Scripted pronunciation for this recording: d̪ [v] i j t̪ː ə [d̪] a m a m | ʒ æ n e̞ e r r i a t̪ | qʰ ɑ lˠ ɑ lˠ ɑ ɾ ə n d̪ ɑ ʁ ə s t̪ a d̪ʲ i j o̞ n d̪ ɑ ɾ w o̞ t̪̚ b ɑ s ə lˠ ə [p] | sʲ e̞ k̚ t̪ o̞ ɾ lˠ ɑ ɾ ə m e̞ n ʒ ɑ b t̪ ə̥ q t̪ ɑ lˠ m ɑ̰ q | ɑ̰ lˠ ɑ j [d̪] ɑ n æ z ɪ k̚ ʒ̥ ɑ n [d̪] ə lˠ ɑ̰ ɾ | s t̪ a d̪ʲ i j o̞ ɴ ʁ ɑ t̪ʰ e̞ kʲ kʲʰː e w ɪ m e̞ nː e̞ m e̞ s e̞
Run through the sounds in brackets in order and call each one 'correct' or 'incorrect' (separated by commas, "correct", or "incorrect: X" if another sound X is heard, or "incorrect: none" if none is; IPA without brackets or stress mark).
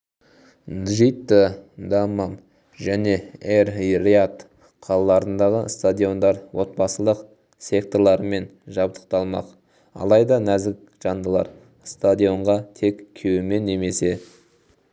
incorrect: ʒ, correct, incorrect: q, correct, correct